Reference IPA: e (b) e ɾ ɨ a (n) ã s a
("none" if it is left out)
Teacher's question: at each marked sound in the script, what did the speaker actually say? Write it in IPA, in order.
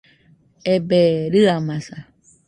b, m

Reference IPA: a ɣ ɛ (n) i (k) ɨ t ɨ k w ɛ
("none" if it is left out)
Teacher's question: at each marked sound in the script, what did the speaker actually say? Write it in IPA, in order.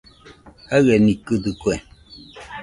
n, k

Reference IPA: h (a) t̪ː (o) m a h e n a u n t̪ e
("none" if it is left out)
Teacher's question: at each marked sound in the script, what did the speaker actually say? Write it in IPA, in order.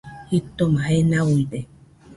i, o

